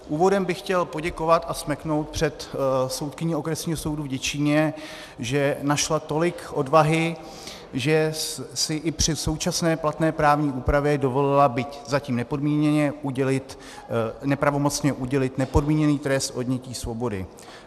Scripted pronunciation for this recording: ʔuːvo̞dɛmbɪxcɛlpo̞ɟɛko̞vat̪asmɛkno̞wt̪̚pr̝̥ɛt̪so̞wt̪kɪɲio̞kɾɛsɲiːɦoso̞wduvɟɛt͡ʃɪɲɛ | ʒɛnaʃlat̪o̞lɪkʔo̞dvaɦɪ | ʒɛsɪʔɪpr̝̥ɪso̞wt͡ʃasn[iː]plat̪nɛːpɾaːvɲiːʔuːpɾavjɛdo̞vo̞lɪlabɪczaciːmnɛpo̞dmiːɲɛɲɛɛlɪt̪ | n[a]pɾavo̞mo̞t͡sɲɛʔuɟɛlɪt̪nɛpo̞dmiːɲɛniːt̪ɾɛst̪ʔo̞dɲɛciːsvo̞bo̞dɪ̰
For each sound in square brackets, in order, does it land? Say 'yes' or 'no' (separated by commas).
no, no